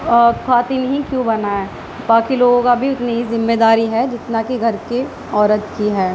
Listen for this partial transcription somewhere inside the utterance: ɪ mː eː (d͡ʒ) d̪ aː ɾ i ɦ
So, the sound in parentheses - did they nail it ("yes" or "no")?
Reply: no